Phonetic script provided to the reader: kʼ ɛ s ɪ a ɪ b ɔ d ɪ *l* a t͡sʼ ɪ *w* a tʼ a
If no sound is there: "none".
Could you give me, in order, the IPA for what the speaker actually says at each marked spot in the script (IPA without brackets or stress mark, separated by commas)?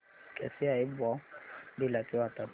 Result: l, w